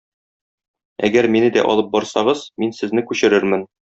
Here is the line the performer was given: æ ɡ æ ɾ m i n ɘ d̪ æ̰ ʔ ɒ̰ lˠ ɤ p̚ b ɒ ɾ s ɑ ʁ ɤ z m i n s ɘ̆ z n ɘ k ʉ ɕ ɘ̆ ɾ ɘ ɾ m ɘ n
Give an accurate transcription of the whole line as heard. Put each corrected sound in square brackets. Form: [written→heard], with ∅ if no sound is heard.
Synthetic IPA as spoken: æ ɡ æ ɾ m i n ɘ d̪ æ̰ ʔ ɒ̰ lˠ ɤ p̚ b ɒ ɾ s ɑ ʁ ɤ z m i n s ɘ̆ z n ɘ k ʉ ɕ ɘ̆ ɾ ɘ ɾ m ɘ n